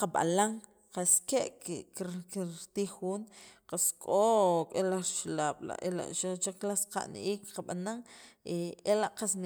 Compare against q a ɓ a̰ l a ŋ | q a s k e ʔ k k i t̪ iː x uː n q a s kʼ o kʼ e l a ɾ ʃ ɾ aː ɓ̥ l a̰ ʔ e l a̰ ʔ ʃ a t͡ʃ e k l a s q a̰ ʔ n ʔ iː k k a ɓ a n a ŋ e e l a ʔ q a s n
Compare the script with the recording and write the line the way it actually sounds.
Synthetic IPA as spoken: q a ɓ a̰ l a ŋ | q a s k e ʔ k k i t̪ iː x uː n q a s kʼ o kʼ e l a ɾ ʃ l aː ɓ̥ l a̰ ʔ e l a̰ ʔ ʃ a t͡ʃ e k l a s q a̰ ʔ n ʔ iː k q a ɓ a n a ŋ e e l a ʔ q a s n